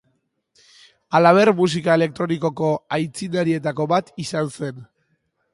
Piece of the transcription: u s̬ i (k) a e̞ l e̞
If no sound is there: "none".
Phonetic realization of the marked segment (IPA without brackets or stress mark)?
k